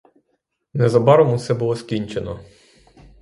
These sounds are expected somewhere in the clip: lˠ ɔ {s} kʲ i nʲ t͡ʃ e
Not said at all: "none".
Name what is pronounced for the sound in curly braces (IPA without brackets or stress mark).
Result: s